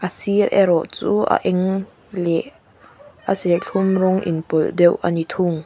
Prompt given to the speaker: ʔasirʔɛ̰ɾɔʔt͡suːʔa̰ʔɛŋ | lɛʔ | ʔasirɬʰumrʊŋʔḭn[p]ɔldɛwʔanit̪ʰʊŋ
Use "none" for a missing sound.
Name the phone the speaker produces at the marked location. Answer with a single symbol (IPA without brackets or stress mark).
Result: p